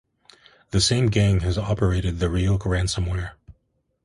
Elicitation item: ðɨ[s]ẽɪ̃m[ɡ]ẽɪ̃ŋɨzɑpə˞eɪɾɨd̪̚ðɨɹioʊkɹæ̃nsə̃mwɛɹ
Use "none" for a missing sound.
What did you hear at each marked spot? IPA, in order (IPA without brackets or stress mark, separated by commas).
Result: s, ɡ